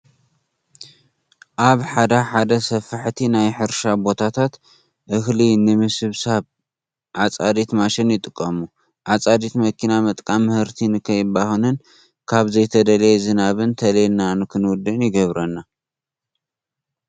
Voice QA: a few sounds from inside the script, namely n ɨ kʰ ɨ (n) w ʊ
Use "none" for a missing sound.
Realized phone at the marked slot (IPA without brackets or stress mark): n